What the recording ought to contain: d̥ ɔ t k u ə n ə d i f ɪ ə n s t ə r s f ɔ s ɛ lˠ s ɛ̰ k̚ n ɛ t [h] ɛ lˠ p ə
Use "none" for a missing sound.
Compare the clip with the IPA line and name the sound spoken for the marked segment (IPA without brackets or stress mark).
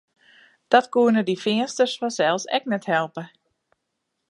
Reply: h